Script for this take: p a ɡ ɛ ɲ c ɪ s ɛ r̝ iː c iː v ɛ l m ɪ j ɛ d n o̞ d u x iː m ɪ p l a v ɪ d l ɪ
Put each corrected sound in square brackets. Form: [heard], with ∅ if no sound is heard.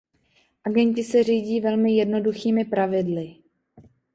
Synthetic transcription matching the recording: [ʔ] a ɡ ɛ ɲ c ɪ s ɛ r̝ iː [ɟ] iː v ɛ l m ɪ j ɛ d n o̞ d u x iː m ɪ p [ɾ] a v ɪ d l ɪ